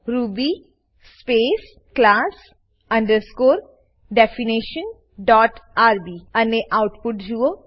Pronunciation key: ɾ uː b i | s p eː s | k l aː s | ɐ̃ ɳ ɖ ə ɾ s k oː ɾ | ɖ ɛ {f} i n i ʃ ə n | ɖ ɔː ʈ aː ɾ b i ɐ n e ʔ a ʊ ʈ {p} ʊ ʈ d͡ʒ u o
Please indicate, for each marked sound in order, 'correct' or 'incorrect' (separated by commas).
correct, correct